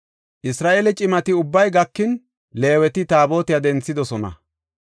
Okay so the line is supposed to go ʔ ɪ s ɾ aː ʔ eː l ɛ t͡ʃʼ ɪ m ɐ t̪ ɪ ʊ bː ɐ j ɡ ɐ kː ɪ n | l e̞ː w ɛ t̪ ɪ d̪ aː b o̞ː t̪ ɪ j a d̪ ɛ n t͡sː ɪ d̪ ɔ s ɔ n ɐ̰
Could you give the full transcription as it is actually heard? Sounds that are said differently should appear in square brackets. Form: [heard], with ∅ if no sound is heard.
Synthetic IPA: ʔ ɪ s ɾ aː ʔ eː l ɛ t͡ʃʼ ɪ m ɐ t̪ ɪ ʊ bː ɐ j ɡ ɐ kː ɪ n | l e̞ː w ɛ t̪ ɪ [t̪] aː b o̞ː t̪ ɪ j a d̪ ɛ n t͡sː ɪ d̪ ɔ s ɔ n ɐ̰